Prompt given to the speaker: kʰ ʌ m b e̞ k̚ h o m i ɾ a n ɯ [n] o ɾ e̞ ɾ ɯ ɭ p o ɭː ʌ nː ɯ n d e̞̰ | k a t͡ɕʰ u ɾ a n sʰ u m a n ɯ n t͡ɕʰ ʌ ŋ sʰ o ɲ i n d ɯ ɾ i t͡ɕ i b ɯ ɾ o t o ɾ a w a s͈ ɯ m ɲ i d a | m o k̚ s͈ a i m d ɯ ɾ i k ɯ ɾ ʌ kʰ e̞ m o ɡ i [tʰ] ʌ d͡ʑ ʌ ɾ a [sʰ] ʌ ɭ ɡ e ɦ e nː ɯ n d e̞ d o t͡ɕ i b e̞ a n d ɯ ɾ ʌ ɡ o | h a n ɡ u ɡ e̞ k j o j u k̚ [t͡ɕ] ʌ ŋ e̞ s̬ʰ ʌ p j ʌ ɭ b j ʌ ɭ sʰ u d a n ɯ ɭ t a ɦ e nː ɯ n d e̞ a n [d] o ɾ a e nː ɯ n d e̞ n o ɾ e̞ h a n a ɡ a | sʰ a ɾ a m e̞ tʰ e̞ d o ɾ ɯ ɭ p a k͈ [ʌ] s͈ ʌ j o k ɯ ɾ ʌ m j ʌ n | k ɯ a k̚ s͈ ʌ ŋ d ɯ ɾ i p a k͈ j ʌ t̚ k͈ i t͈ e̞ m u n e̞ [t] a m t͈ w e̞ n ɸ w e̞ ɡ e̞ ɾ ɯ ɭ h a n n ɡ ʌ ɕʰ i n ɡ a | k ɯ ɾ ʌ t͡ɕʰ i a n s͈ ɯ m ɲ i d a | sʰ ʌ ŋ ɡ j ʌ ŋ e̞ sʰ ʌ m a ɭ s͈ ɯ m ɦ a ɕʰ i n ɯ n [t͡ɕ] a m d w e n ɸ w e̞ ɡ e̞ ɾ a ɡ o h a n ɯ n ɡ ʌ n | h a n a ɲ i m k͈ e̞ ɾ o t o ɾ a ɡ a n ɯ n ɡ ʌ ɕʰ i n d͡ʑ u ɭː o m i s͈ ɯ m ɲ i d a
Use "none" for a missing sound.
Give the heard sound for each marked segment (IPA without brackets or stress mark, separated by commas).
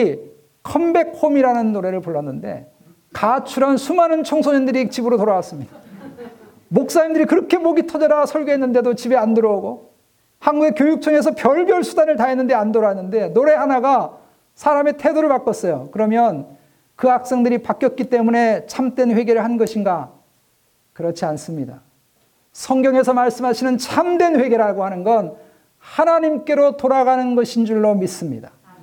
nː, tʰ, sʰ, t͡ɕʰ, d, ʌ, t͡ɕʰ, t͡ɕʰ